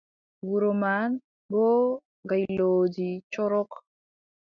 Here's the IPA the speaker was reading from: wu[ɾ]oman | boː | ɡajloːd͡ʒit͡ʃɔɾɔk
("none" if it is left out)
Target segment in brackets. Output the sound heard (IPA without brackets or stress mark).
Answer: ɾ